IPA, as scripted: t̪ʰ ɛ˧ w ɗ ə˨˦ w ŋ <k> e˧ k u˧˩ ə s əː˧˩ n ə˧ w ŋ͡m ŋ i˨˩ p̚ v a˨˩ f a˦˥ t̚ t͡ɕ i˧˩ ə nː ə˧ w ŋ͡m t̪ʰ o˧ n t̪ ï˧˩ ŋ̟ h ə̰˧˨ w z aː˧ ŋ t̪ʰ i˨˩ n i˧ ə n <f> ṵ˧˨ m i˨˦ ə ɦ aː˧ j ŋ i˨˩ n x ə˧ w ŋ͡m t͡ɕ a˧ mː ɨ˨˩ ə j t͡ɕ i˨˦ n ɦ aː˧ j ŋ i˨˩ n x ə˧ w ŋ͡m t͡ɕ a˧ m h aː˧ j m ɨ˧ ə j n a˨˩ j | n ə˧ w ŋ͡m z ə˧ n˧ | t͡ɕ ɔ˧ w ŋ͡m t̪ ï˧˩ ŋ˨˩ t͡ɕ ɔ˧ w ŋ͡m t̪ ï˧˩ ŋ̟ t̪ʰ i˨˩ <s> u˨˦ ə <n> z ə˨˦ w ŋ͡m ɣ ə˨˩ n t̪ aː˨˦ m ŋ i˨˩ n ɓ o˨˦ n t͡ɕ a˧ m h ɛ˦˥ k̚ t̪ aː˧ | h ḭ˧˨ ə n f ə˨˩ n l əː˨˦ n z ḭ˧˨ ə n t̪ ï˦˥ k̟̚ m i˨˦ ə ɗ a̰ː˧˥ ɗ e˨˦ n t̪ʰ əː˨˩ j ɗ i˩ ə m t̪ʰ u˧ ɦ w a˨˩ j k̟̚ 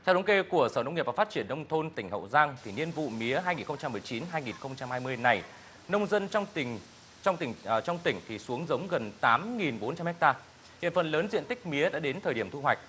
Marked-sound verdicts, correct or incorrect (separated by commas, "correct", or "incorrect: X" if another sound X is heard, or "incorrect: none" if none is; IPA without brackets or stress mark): correct, incorrect: v, correct, incorrect: ŋ